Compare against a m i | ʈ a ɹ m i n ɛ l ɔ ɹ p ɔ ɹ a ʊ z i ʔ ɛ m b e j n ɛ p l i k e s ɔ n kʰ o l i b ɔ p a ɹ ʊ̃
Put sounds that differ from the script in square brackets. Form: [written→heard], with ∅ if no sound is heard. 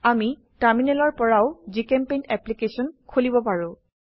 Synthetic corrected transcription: a m i | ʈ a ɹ m i n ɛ l ɔ ɹ p ɔ ɹ a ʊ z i [ʔ→k] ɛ m [b→p] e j n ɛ p l i k e s ɔ n kʰ o l i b ɔ p a ɹ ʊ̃